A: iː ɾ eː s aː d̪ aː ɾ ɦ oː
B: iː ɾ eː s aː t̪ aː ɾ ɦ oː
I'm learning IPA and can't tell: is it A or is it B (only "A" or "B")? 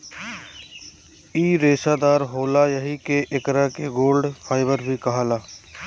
A